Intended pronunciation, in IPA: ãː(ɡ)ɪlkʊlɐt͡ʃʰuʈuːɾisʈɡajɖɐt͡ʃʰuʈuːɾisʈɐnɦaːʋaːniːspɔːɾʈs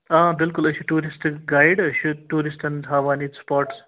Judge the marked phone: incorrect: b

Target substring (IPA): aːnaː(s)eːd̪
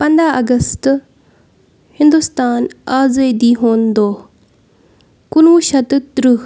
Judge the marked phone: incorrect: z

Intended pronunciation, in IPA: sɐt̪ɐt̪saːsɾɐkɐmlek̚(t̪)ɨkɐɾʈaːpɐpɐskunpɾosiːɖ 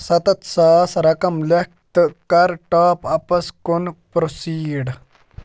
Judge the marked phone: correct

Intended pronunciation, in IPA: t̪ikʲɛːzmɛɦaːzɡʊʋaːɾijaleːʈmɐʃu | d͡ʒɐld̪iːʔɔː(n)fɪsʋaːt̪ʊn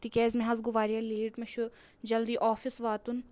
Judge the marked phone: incorrect: none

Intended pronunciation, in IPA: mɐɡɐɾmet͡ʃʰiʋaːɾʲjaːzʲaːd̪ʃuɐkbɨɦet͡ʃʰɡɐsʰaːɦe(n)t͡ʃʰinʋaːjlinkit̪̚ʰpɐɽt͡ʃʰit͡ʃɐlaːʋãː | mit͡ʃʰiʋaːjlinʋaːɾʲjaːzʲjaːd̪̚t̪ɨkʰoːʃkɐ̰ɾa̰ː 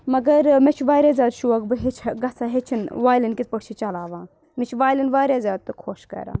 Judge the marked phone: incorrect: none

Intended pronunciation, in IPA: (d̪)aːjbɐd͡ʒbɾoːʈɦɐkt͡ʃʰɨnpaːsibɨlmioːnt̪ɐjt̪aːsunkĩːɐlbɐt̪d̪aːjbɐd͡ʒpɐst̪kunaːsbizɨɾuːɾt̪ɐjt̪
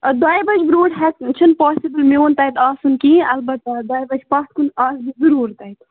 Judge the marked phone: correct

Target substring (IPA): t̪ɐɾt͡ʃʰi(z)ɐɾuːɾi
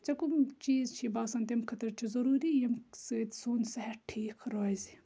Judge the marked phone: correct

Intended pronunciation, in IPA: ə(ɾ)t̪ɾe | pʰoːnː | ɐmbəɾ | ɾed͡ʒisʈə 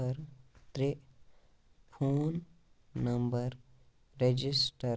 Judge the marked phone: correct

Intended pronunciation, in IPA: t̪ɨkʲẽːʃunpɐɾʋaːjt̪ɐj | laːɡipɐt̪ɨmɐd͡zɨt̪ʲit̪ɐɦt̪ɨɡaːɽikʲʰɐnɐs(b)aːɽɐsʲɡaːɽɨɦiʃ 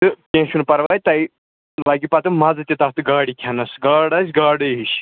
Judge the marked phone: incorrect: ɡ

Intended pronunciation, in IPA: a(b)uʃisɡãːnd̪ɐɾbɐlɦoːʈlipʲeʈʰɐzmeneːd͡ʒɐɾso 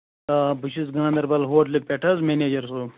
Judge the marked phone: correct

